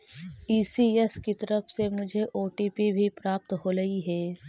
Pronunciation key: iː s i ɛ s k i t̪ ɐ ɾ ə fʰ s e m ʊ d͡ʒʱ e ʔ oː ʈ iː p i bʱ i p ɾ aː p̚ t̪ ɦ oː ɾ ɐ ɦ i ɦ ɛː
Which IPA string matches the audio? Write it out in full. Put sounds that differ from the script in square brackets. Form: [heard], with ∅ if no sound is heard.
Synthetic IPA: iː s i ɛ s k i t̪ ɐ ɾ ə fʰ s e m ʊ d͡ʒʱ e ʔ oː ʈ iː p i bʱ i p ɾ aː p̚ t̪ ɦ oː ɾ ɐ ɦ i ɦ ɛː